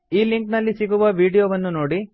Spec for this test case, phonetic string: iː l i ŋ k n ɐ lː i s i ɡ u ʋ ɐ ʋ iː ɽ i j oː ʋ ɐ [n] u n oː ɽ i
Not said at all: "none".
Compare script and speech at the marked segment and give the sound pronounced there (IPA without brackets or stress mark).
nː